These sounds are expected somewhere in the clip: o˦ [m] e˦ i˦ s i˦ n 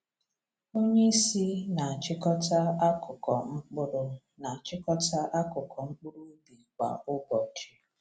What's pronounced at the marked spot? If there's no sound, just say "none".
ɲ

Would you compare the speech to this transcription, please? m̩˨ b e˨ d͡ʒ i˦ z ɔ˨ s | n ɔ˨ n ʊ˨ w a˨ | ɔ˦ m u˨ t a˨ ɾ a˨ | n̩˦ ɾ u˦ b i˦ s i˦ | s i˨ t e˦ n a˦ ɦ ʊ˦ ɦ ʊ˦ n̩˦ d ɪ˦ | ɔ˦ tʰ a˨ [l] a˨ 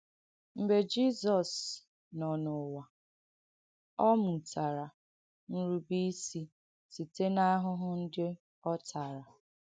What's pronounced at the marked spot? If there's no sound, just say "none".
ɾ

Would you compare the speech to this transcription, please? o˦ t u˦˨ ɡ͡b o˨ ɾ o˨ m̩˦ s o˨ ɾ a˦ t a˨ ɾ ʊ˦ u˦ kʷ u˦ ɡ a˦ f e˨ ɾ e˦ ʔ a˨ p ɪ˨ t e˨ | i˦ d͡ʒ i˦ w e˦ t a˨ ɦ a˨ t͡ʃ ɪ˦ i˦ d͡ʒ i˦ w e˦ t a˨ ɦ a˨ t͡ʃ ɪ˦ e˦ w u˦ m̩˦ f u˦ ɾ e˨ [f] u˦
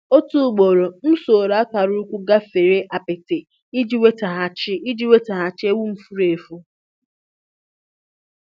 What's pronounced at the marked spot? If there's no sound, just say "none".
f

